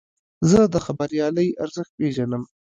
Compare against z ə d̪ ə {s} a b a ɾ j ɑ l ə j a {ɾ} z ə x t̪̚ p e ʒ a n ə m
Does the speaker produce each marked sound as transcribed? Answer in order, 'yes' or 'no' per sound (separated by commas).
no, yes